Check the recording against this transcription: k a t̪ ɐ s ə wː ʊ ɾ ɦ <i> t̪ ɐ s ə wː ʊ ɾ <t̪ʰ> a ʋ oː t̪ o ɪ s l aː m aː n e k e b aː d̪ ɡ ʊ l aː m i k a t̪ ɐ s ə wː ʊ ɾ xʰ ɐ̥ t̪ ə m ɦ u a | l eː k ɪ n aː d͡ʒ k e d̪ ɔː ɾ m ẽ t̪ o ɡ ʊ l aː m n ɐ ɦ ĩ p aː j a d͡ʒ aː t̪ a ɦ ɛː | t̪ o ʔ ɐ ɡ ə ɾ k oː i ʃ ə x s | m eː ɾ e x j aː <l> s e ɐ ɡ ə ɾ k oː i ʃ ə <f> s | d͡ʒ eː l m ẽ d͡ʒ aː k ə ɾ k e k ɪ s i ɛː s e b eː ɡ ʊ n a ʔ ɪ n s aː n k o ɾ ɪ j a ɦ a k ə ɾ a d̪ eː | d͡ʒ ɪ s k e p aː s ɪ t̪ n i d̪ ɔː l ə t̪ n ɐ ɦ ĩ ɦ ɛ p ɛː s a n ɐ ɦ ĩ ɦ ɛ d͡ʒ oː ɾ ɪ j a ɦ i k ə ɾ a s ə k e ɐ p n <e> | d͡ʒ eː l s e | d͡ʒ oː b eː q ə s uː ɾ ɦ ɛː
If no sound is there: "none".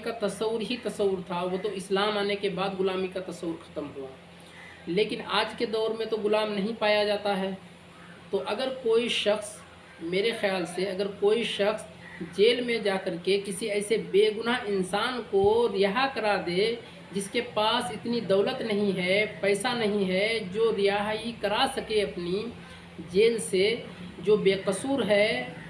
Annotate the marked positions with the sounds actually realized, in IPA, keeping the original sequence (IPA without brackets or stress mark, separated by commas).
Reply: i, t̪ʰ, l, x, i